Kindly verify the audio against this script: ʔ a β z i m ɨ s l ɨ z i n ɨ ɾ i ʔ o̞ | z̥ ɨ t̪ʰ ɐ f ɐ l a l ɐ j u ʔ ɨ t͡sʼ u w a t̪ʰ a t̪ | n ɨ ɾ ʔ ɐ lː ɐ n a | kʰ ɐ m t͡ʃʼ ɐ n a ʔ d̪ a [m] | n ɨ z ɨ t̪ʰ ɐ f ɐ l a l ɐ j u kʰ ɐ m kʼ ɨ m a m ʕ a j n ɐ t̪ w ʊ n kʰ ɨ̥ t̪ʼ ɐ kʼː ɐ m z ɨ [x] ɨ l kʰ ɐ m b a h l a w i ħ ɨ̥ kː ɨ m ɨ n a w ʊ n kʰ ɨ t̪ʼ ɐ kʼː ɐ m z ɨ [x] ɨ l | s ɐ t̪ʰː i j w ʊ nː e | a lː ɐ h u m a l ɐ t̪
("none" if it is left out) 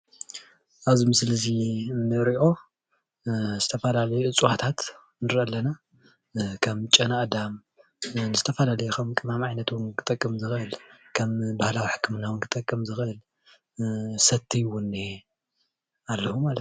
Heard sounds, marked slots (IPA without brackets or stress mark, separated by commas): m, x, x